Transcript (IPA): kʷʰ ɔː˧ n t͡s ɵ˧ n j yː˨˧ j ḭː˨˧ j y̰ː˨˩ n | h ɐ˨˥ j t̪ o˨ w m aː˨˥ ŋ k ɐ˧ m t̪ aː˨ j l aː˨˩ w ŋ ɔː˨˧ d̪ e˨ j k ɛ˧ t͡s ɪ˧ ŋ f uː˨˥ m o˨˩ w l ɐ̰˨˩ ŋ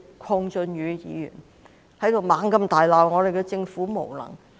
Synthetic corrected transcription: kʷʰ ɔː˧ ŋ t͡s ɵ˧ n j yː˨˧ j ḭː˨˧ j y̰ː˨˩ n | h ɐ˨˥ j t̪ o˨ w m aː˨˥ ŋ k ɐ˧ m t̪ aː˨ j l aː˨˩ w ŋ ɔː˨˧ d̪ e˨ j k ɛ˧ t͡s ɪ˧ ŋ f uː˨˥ m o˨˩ w l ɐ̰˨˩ ŋ

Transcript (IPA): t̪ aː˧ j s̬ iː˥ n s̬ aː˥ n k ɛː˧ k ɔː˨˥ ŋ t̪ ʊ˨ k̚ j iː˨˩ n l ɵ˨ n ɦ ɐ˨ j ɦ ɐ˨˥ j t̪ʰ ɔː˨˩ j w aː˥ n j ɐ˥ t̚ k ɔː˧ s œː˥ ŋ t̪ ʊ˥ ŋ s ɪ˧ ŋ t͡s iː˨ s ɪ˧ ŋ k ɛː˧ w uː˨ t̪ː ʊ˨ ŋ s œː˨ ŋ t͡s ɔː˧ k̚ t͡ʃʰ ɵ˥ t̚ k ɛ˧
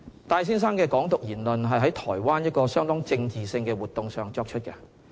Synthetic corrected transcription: t̪ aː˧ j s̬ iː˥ n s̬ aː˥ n k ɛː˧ k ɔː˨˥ ŋ t̪ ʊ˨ k̚ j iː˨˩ n l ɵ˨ n ɦ ɐ˨ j ɦ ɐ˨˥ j t̪ʰ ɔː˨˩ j w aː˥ n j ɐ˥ t̚ k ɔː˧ s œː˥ ŋ t̪ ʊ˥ ŋ t͡s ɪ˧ ŋ t͡s iː˨ s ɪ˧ ŋ k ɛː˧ w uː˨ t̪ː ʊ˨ ŋ s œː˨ ŋ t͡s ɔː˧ k̚ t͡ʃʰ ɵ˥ t̚ k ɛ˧

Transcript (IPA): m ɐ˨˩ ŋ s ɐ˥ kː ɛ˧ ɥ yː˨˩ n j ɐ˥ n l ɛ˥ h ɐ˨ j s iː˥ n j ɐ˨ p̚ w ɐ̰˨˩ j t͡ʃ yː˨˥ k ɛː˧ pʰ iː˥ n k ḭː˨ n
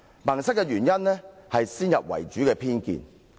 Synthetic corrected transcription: m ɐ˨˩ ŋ s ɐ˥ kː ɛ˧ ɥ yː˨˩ n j ɐ˥ n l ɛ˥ h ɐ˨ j s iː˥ n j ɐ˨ p̚ w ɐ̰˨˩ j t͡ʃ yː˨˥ k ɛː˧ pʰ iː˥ n k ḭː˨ n

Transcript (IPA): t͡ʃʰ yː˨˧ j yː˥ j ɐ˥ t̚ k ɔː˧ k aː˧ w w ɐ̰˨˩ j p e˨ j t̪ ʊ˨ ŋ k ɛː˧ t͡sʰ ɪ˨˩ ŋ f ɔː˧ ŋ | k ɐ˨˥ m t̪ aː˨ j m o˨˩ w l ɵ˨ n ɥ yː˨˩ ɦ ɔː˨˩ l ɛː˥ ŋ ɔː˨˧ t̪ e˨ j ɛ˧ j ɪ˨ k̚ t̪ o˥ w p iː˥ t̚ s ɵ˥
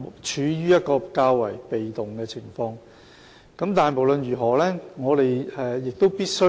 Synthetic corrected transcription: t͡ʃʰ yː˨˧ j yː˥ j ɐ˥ t̚ k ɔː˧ k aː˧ w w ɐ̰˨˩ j p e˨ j t̪ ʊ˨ ŋ k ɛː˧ t͡sʰ ɪ˨˩ ŋ f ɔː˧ ŋ | k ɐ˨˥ m t̪ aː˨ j m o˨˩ w l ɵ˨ n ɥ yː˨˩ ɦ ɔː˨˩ l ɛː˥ ŋ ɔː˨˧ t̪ e˨ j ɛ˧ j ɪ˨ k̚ t̪ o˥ w p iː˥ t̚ s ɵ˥

